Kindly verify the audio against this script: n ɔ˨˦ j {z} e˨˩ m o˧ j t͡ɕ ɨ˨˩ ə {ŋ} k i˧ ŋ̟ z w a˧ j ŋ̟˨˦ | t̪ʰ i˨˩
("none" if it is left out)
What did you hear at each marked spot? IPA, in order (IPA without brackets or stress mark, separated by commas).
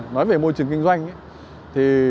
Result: v, ŋ